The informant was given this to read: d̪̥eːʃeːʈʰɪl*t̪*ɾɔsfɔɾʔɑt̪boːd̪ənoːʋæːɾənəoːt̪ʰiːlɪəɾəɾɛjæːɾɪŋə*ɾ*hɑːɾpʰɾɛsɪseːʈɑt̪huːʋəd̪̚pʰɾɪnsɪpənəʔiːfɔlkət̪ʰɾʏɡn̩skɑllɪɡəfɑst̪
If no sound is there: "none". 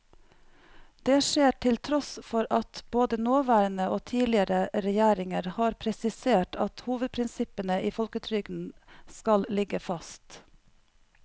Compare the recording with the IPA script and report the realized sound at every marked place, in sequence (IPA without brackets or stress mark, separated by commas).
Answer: t̪ʰ, ɾ